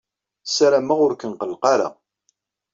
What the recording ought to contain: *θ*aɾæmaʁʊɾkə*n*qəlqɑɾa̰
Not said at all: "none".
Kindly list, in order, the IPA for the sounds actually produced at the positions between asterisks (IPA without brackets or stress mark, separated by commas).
s, n